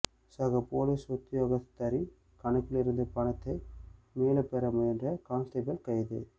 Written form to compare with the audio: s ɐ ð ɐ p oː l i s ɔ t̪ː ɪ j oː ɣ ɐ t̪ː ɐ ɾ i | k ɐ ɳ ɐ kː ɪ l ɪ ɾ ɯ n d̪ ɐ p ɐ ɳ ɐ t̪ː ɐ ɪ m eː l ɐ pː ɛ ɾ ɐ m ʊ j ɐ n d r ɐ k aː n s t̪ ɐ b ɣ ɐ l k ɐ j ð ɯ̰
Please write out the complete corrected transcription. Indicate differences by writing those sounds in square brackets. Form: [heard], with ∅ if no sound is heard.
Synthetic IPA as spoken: s ɐ [ɣ] ɐ p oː l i s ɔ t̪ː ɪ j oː ɣ ɐ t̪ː ɐ ɾ i | k ɐ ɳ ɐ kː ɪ l ɪ ɾ ɯ n d̪ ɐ p ɐ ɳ ɐ t̪ː ɐ ɪ m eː l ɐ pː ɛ ɾ ɐ m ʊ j ɐ n d r ɐ k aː n s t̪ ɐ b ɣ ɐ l k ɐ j ð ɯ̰